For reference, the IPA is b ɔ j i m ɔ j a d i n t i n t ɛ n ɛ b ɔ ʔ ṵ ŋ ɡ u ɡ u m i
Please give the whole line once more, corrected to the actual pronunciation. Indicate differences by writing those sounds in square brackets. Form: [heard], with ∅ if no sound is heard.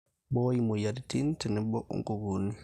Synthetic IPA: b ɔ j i m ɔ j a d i [∅] t i n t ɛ n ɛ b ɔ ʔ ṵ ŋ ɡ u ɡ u [n] i